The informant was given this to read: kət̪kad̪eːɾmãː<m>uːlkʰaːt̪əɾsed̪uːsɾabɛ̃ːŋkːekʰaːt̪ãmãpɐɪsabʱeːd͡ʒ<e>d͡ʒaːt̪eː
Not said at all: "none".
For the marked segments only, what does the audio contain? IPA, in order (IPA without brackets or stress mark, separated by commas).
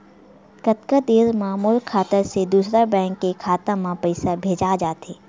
m, a